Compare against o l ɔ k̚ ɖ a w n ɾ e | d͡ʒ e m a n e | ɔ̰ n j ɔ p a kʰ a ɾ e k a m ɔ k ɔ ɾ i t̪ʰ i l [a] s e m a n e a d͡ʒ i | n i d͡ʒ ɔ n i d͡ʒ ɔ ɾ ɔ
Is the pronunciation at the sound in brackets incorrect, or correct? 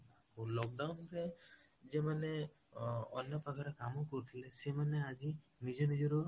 incorrect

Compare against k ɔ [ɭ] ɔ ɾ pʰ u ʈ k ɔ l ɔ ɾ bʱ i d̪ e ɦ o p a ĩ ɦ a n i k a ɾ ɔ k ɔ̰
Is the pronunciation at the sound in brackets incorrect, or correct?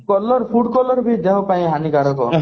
incorrect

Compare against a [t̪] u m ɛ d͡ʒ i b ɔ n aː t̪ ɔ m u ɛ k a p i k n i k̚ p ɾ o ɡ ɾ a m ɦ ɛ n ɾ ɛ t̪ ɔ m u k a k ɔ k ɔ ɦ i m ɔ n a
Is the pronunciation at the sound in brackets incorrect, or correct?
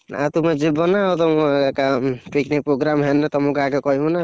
correct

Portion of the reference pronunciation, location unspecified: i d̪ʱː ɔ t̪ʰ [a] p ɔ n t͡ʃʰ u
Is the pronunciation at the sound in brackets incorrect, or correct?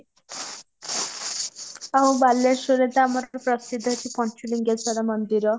incorrect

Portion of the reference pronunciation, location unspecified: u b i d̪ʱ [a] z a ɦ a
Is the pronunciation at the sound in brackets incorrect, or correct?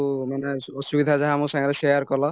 correct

